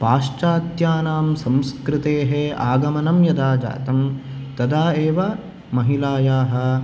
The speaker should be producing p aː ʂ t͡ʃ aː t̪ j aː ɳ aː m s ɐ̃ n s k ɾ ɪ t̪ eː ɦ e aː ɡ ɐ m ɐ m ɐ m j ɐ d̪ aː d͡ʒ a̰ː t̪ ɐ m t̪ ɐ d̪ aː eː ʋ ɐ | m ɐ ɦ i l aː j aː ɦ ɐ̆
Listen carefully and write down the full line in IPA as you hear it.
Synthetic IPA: p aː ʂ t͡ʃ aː t̪ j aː n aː m s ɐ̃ m s k ɾ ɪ t̪ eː ɦ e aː ɡ ɐ m ɐ n ɐ m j ɐ d̪ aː d͡ʒ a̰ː t̪ ɐ m t̪ ɐ d̪ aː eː ʋ ɐ | m ɐ ɦ i l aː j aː ɦ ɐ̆